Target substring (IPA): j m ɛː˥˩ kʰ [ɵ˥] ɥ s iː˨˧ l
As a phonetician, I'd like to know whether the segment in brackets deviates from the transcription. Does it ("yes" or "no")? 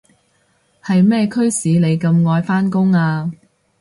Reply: no